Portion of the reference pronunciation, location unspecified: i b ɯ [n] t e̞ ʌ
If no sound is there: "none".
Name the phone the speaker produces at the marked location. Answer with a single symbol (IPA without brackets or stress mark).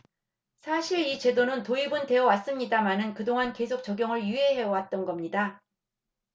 n